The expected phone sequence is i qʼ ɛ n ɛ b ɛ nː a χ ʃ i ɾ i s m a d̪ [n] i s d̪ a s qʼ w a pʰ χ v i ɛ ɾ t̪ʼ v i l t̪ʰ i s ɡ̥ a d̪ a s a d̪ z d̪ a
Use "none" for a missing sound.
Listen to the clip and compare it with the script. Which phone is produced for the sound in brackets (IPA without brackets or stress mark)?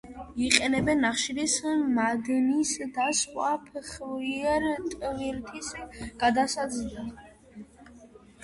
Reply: n